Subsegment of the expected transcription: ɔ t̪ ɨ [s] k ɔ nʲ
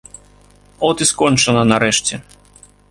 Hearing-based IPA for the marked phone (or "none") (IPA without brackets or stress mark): s